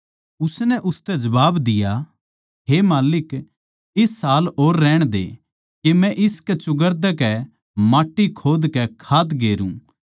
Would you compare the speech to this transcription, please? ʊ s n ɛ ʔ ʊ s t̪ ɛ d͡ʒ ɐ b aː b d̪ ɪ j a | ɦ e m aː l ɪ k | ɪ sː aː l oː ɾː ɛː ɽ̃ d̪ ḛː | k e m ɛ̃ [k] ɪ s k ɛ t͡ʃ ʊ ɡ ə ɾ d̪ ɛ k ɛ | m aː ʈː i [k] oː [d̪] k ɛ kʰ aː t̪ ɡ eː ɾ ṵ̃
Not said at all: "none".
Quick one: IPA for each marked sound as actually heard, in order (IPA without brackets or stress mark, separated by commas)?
ʔ, kʰ, d̪